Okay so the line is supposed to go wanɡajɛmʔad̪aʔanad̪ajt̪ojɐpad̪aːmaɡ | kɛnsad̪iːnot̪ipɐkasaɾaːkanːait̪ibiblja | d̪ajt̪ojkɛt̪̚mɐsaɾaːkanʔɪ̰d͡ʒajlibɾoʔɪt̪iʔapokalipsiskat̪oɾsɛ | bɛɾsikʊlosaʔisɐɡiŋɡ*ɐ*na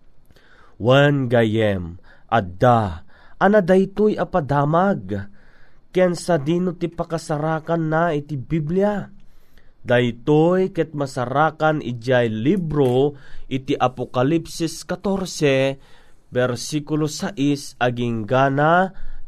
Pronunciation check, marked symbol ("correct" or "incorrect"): incorrect